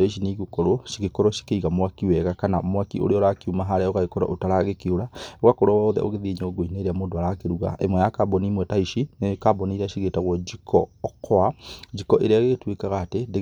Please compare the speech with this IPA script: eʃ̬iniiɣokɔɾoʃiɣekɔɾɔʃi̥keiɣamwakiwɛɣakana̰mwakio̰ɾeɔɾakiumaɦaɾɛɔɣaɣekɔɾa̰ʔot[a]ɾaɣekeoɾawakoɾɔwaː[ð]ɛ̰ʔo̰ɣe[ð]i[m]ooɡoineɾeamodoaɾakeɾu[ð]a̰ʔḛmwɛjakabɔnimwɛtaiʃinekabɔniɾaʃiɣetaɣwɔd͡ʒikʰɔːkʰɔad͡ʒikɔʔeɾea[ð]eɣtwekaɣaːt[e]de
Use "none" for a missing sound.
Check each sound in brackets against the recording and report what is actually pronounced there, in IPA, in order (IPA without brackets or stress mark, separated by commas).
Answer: a, ð, ð, ɲ, ɣ, ɣ, e